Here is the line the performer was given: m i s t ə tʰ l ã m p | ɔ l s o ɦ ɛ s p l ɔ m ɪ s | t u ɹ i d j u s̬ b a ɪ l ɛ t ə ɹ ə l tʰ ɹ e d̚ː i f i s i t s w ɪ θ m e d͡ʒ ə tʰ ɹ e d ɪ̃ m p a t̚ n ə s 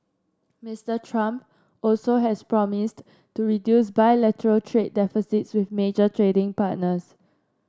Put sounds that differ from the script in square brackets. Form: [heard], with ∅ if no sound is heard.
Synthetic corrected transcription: m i s t ə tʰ [ɹ] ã m p | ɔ l s o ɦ ɛ s p [ɹ] ɔ m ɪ s | t u ɹ i d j u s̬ b a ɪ l ɛ t ə ɹ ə l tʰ ɹ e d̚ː [ɛ] f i s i t s w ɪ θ m e d͡ʒ ə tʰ ɹ e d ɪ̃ [ŋ] p a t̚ n ə s